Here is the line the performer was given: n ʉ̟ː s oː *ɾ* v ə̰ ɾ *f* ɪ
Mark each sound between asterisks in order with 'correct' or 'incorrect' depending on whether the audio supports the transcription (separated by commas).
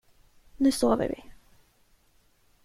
incorrect, incorrect